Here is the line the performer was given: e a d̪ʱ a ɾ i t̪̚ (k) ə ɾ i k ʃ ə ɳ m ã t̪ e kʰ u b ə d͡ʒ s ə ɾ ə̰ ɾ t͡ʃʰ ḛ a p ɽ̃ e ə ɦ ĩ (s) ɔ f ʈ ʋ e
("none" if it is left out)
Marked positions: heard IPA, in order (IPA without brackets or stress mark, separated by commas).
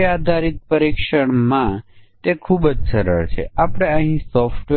p, s